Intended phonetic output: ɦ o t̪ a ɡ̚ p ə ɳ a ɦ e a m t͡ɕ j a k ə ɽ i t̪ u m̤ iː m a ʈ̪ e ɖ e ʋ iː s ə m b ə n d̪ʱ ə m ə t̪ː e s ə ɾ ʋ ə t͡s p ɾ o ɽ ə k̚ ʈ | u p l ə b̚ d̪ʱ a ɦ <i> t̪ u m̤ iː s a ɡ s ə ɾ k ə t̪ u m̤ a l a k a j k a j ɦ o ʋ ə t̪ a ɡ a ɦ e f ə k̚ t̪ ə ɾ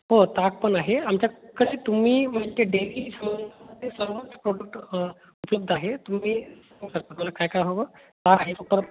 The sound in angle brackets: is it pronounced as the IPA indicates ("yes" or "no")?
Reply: no